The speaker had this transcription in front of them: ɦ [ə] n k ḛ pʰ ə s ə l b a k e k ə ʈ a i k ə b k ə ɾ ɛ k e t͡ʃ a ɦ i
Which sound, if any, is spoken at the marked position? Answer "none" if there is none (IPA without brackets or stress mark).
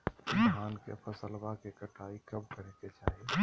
a